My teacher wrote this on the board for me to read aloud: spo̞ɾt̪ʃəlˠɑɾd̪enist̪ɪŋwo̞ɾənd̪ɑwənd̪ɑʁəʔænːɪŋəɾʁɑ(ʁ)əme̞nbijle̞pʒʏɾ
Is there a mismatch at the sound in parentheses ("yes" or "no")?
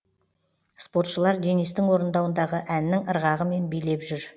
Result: no